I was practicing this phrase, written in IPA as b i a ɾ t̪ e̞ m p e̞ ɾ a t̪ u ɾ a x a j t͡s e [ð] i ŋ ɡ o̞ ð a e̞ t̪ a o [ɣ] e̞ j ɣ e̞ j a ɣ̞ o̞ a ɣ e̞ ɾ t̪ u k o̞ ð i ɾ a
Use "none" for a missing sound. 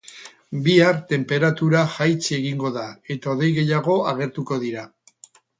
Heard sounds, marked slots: ɣ, ð

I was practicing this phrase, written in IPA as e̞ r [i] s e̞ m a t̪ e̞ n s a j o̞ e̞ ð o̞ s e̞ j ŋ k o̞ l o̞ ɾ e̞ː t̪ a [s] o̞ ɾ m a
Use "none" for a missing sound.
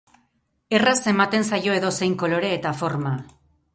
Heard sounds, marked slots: a, f

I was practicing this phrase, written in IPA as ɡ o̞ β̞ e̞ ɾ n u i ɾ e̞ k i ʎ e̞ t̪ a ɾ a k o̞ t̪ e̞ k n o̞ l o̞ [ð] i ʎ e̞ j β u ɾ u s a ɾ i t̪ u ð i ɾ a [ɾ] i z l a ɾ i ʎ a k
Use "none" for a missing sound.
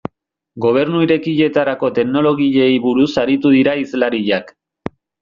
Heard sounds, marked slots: ɣ, none

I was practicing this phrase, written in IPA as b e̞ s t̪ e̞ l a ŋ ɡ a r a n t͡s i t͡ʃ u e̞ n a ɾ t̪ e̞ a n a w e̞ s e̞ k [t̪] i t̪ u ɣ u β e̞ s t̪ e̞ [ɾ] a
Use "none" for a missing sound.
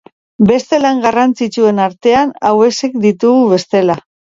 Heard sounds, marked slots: d̪, l

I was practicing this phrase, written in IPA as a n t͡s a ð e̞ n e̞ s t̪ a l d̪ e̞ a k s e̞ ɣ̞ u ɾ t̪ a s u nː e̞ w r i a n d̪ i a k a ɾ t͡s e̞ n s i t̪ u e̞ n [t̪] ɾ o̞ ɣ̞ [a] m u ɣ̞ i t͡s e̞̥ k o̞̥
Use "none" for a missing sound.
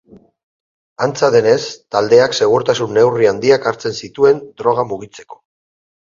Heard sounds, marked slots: d̪, a

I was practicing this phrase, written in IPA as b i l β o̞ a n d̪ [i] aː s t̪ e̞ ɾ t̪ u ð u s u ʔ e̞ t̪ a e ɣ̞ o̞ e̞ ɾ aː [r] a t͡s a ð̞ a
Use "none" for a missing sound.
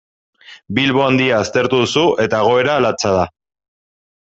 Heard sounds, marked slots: i, l

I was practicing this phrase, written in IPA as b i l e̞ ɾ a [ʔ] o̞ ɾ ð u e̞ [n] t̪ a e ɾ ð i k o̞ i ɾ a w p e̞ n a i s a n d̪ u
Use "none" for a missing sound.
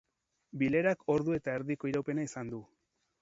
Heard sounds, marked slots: k, none

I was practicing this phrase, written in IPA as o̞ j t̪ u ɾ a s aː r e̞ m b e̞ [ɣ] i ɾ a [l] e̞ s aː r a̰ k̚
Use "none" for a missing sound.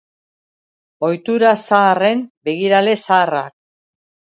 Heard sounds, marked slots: ɣ, l

